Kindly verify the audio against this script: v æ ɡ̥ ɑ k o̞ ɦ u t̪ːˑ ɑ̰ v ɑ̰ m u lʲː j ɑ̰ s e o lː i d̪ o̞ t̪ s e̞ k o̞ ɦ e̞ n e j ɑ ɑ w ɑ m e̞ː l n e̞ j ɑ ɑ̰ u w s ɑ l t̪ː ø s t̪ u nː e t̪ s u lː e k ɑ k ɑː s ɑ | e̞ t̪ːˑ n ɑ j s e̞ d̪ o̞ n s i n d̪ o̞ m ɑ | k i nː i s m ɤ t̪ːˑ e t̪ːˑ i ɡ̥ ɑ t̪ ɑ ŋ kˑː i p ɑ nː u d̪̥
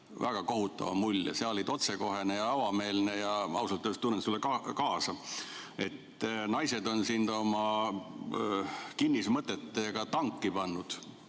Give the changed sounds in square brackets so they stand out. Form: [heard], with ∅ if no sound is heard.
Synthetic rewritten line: v æ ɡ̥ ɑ k o̞ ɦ u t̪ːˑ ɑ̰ v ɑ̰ m u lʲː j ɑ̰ s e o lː i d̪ o̞ t̪ s e̞ k o̞ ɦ e̞ n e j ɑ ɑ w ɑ m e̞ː l n e̞ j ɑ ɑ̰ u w s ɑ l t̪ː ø s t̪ u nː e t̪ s u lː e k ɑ k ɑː s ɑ | e̞ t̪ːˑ n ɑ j s e̞ d̪ o̞ n s i n d̪ o̞ m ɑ | k i nː i s m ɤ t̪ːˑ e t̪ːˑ [e] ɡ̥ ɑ t̪ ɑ ŋ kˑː i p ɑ nː u d̪̥